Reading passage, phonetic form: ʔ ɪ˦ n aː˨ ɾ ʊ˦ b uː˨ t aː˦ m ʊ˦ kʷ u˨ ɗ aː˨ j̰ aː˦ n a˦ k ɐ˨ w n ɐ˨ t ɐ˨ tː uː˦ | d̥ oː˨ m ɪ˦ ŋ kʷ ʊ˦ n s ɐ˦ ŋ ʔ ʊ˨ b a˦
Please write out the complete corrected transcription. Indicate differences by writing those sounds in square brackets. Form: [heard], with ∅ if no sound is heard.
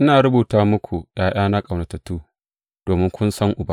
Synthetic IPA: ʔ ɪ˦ n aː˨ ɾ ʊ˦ b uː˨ t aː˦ m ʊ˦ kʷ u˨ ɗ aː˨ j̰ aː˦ n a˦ [kʼ] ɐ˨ w n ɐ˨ t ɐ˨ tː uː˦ | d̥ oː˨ m ɪ˦ ŋ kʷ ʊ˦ n s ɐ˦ ŋ ʔ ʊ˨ b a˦